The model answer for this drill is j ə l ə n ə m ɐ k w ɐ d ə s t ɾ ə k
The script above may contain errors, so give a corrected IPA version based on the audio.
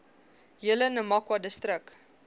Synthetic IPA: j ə l ə n ə m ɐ k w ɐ d ə s t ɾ ə k